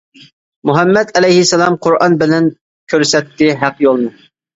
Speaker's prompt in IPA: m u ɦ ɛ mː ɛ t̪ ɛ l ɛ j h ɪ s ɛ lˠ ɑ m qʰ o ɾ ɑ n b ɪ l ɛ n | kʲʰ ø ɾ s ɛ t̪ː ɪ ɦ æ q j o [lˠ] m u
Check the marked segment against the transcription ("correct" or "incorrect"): correct